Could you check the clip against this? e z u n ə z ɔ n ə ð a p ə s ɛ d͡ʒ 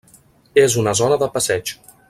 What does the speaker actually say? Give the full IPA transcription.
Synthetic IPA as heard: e z u n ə z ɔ n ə ð ə p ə s ɛ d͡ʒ